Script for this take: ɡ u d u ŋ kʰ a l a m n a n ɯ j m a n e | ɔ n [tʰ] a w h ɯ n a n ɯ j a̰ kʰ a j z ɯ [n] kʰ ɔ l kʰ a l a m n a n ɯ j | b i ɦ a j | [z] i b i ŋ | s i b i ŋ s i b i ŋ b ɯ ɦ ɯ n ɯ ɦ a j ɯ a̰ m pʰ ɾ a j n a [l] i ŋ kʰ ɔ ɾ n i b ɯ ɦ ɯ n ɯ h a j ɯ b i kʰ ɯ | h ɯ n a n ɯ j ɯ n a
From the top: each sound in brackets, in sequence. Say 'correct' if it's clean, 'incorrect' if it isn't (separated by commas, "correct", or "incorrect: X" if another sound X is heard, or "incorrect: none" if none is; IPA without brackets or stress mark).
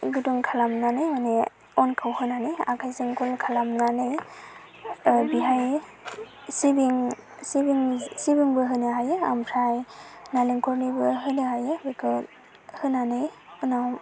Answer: incorrect: kʰ, incorrect: ŋ, incorrect: s, correct